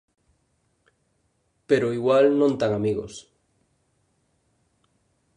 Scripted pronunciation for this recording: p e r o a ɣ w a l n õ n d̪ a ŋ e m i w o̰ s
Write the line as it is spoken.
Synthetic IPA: p e ɾ o i ɣ w a l n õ n t̪ a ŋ a m i ɣ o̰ s

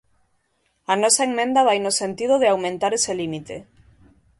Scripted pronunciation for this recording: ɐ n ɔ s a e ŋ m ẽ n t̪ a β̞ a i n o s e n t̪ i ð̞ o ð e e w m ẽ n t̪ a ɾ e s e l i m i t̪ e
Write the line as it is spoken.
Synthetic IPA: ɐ n ɔ s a e ŋ m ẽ n d̪ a β̞ a j n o s e n t̪ i ð̞ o ð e a w m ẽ n t̪ a ɾ e s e l i m i t̪ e

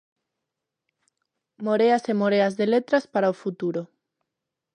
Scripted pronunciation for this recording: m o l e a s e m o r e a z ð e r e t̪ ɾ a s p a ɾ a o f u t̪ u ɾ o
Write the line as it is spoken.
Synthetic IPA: m o ɾ e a s e m o ɾ e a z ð e l e t̪ ɾ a s p a ɾ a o f u t̪ u ɾ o

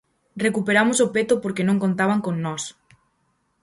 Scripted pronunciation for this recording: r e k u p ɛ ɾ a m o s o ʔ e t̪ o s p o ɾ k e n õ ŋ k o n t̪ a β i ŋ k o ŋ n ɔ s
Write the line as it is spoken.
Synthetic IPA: r e k u p e ɾ a m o s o p e t̪ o p o ɾ k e n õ ŋ k o n t̪ a β a ŋ k o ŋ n ɔ s

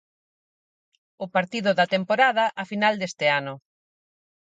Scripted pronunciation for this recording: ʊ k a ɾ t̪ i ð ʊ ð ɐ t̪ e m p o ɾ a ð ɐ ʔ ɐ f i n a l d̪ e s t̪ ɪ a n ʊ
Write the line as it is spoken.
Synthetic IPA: ʊ p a ɾ t̪ i ð ʊ ð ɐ t̪ e m p o ɾ a ð ɐ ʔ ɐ f i n a l d̪ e s t̪ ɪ a n ʊ

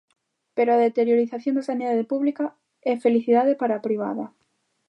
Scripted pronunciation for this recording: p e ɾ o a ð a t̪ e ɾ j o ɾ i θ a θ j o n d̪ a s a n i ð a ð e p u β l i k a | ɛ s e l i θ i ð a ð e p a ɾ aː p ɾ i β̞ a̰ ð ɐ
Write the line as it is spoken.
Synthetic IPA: p e ɾ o a ð e t̪ e ɾ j o ɾ i θ a θ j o n d̪ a s a n i ð a ð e p u β l i k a | ɛ f e l i θ i ð a ð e p a ɾ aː p ɾ i β̞ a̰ ð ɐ

